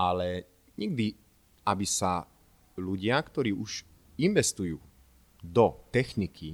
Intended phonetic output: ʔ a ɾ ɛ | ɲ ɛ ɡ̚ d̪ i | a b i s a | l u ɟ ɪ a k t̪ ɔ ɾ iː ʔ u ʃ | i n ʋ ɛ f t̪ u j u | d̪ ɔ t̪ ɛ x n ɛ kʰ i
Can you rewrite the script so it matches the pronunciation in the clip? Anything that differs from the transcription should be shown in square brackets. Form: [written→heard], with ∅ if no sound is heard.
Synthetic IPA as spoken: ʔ a [ɾ→l] ɛ | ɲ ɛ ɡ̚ d̪ i | a b i s a | l u ɟ ɪ a k t̪ ɔ ɾ iː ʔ u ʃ | i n ʋ ɛ [f→s] t̪ u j [u→uː] | d̪ ɔ t̪ ɛ x n [ɛ→i] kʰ i